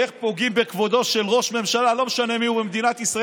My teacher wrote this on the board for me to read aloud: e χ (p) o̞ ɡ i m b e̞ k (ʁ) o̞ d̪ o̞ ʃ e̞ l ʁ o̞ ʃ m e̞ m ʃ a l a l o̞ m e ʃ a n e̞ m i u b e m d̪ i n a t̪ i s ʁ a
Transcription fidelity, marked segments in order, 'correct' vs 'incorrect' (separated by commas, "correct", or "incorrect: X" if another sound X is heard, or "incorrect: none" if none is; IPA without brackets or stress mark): correct, incorrect: v